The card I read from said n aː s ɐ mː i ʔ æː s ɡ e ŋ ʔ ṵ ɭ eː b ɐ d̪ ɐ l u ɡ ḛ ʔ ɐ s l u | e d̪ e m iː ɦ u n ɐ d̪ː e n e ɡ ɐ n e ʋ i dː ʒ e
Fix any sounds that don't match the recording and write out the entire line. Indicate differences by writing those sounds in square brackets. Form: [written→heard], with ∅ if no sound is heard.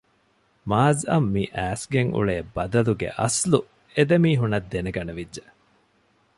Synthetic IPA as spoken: [n→m] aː [s→z] ɐ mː i ʔ æː s ɡ e ŋ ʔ ṵ ɭ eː b ɐ d̪ ɐ l u ɡ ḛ ʔ ɐ s l u | e d̪ e m iː ɦ u n ɐ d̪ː e n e ɡ ɐ n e ʋ i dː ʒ e